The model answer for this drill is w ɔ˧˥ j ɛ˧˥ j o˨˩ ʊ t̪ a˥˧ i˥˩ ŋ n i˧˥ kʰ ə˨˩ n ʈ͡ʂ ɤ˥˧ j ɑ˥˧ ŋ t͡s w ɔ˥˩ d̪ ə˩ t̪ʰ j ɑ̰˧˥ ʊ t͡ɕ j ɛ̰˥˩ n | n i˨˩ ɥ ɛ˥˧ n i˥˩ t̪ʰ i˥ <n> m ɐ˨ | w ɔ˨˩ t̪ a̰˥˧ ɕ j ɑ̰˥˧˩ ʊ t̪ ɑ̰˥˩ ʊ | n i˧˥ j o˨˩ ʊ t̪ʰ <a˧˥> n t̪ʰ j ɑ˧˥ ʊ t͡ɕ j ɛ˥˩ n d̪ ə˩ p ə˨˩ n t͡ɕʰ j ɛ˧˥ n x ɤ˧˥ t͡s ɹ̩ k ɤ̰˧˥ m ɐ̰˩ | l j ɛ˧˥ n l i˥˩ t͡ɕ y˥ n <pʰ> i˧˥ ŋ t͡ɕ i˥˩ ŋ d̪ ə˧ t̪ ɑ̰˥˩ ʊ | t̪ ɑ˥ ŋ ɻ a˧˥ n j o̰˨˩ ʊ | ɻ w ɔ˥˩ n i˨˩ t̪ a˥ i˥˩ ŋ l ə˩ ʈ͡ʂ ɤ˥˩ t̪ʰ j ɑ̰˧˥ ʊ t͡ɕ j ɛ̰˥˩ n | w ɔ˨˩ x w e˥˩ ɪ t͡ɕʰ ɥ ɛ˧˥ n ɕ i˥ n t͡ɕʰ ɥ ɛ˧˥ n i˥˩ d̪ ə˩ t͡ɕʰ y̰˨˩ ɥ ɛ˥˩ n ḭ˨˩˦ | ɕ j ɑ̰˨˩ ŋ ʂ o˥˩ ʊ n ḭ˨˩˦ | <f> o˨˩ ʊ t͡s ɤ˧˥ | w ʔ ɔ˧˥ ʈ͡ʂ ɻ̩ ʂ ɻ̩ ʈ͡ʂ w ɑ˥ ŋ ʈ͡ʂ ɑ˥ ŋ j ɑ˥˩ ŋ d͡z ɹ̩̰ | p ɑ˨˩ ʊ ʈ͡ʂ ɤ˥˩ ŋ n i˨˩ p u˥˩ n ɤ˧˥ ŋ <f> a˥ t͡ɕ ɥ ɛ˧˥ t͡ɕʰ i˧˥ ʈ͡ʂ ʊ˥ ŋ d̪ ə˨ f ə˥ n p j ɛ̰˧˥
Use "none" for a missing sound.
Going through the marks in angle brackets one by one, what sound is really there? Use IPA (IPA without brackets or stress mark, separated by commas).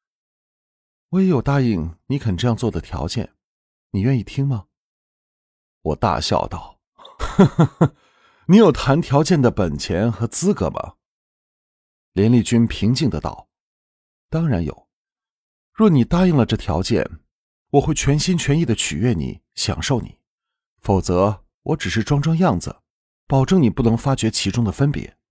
ŋ, a˧˥, pʰ, f, f